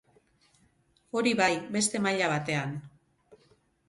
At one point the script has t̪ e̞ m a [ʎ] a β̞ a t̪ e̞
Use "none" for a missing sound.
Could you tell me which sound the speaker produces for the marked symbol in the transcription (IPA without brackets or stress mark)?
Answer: ʎ